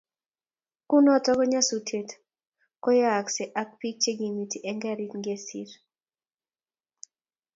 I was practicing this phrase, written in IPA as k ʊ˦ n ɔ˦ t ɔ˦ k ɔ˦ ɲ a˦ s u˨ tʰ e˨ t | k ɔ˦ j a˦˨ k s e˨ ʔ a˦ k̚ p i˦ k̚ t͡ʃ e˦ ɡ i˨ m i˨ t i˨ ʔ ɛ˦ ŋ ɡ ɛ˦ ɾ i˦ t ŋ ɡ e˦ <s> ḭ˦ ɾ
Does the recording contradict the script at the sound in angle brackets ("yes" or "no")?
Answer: no